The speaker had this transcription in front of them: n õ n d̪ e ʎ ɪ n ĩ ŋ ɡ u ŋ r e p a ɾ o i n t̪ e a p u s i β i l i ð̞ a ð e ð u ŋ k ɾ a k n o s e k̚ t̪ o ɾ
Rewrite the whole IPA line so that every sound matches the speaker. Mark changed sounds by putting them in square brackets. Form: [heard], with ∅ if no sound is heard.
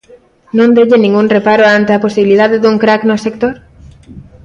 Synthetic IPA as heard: n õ n d̪ e ʎ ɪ n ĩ ŋ ɡ u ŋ r e p a ɾ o [a] n t̪ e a p [o] s i β i l i ð̞ a ð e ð u ŋ k ɾ a k n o s e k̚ t̪ o ɾ